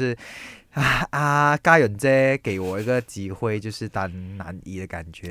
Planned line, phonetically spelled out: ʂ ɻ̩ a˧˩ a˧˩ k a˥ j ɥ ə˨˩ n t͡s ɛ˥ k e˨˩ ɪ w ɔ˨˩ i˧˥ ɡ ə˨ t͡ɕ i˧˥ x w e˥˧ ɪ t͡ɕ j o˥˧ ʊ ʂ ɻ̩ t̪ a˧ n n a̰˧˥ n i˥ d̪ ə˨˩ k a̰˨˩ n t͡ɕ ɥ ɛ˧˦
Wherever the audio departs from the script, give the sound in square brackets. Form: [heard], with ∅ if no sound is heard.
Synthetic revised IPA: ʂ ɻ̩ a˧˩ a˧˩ k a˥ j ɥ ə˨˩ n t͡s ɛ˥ k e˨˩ ɪ w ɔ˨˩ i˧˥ ɡ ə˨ t͡ɕ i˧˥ x w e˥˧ ɪ t͡ɕ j o˥˧ ʊ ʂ ɻ̩ t̪ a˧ n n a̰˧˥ n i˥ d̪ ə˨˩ k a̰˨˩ n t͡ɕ ɥ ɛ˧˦